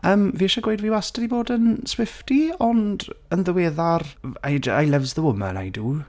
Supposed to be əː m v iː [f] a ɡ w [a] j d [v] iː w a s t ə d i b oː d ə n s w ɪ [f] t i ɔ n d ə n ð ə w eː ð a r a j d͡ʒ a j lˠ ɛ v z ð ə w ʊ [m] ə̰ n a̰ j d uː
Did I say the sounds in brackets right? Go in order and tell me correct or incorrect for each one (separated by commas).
incorrect, incorrect, correct, correct, correct